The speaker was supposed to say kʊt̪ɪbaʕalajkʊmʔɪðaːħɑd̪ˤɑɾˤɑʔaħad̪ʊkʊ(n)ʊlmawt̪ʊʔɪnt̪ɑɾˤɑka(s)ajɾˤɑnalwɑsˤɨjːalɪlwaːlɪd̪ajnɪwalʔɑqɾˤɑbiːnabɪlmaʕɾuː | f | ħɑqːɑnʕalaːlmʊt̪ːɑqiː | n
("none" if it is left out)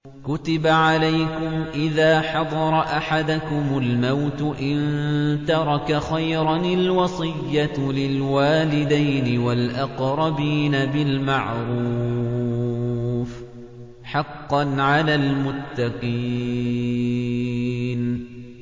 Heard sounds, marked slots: m, x

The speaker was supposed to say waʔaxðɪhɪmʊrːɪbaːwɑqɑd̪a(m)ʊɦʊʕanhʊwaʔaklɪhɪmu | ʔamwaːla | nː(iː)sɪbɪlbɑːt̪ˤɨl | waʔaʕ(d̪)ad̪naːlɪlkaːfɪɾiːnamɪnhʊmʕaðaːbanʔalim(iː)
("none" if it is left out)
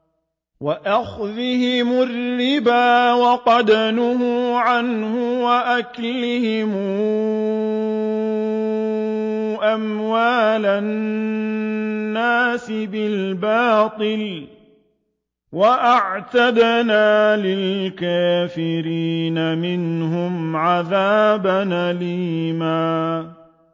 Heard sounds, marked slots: n, aː, t̪, aː

